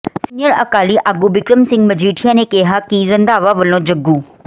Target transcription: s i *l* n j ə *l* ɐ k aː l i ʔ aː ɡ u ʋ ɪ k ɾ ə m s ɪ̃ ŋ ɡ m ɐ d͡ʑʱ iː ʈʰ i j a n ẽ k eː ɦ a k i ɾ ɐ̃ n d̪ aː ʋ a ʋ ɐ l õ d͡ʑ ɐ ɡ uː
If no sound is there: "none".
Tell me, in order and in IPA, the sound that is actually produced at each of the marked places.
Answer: none, ɾ

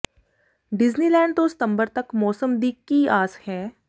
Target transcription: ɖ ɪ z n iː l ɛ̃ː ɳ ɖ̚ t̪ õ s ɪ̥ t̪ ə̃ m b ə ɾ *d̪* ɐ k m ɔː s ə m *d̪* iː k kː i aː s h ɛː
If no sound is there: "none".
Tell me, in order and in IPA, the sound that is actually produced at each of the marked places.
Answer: t̪, d̪

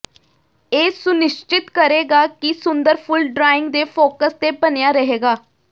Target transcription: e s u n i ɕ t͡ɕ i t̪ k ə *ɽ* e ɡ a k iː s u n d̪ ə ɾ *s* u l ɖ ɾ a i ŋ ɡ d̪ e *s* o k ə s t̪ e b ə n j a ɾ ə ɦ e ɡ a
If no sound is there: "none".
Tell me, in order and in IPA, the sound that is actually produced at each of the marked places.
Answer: ɾ, f, f

